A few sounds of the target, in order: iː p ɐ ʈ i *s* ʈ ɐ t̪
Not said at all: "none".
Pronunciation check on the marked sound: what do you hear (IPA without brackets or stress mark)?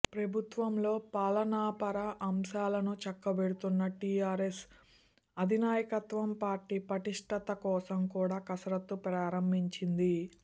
ʂ